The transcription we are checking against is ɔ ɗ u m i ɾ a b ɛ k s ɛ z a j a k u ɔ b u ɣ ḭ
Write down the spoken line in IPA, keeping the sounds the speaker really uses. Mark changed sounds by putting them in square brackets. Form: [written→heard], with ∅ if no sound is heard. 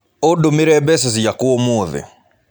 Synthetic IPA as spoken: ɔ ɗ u m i ɾ [a→ɛ] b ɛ [k→∅] s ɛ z [a→i] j a k u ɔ [b→m] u [ɣ→ð] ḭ